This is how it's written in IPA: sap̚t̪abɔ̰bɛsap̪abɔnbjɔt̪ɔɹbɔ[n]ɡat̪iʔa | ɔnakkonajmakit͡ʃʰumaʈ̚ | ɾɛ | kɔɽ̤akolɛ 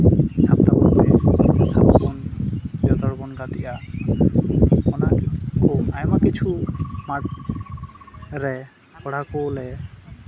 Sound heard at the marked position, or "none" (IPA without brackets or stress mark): n